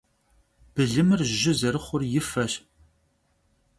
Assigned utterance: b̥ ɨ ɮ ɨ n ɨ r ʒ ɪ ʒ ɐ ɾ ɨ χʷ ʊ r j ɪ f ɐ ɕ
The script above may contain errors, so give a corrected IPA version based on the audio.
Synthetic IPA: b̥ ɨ ɮ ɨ m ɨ r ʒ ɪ z ɐ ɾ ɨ χʷ ʊ r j ɪ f ɐ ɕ

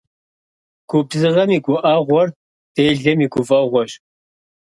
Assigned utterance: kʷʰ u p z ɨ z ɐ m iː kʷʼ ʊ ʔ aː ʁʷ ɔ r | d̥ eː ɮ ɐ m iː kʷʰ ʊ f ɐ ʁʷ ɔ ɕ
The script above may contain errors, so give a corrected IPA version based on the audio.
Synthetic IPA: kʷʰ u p z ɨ ʁ ɐ m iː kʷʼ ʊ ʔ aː ʁʷ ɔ r | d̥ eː ɮ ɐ m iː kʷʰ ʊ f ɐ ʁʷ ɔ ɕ

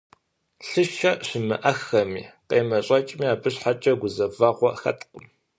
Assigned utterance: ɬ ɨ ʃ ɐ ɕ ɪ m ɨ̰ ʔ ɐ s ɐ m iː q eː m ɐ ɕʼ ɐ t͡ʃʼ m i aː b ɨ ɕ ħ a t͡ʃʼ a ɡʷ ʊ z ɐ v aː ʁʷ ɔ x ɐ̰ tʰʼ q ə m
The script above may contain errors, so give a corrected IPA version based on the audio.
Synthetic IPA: ɬ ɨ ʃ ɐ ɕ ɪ m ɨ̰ ʔ ɐ x ɐ m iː q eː m ɐ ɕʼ ɐ t͡ʃʼ m i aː b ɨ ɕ ħ a t͡ʃʼ ɐ ɡʷ ʊ z ɐ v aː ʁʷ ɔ x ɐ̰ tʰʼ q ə m

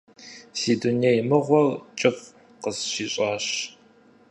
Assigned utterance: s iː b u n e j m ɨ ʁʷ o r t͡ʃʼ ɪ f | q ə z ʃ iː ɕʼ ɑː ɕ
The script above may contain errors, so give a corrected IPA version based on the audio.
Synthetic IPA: s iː d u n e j m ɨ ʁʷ ɔ r t͡ʃʼ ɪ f | q ə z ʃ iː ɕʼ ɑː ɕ

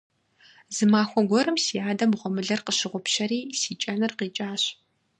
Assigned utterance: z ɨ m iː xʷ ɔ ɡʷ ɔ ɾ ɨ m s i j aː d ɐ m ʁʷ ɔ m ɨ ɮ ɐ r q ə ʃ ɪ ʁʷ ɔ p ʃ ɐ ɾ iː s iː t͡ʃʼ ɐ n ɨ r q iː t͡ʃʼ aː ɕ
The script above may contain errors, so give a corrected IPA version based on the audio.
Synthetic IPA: z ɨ m aː xʷ ɔ ɡʷ ɔ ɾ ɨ m s i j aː d ɐ m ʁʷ ɔ m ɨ ɮ ɐ r q ə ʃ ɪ ʁʷ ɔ p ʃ ɐ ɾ iː s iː t͡ʃʼ ɐ n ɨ r q iː t͡ʃʼ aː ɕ

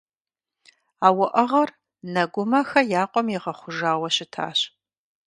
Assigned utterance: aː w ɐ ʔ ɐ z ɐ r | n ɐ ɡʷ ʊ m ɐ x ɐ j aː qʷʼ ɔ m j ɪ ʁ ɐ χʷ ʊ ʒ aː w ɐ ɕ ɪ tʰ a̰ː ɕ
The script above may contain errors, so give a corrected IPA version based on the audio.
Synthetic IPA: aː w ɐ ʔ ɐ ʁ ɐ r | n ɐ ɡʷ ʊ m ɐ x ɐ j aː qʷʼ ɔ m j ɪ ʁ ɐ χʷ ʊ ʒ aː w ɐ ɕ ɪ tʰ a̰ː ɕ

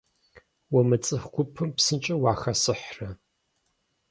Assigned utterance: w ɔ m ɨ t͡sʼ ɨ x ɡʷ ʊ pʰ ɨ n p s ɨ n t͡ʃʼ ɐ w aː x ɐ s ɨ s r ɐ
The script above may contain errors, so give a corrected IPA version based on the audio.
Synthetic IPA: w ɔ m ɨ t͡sʼ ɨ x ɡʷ ʊ pʰ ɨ m p s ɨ n t͡ʃʼ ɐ w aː x ɐ s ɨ ħ r ɐ

